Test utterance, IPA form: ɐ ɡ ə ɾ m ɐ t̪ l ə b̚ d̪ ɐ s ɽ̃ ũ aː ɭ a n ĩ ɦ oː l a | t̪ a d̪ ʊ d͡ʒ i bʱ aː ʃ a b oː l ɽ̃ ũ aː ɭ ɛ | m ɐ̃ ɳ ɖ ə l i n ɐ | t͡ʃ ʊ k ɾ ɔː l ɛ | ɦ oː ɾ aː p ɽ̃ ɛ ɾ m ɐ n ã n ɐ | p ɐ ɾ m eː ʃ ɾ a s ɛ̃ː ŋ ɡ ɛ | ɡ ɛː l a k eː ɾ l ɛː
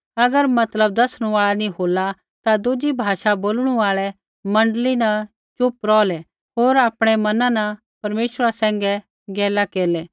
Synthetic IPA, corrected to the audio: ɐ ɡ ə ɾ m ɐ t̪ l ə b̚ d̪ ɐ s ɽ̃ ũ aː ɭ a n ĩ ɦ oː l a | t̪ a d̪ ʊ d͡ʒ i bʱ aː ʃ a b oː l ɽ̃ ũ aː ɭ ɛ | m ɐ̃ ɳ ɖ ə l i n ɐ | t͡ʃ ʊ p ɾ ɔː l ɛ | ɦ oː ɾ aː p ɽ̃ ɛ m ɐ n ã n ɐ | p ɐ ɾ m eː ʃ ɾ a s ɛ̃ː ŋ ɡ ɛ | ɡ ɛː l a k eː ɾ l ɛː